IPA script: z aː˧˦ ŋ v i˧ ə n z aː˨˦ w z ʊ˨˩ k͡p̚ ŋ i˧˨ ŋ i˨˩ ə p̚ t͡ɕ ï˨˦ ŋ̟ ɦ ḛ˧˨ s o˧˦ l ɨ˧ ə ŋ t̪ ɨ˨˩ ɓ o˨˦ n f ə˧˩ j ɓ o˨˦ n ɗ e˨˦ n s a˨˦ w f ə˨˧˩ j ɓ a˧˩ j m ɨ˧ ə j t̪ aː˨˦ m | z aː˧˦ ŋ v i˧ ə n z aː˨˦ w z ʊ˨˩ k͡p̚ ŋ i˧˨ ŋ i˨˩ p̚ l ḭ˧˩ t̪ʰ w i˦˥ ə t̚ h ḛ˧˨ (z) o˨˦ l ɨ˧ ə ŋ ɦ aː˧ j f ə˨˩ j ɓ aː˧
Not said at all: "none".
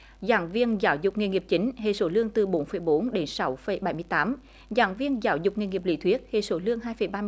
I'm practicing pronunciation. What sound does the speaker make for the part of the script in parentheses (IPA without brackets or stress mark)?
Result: s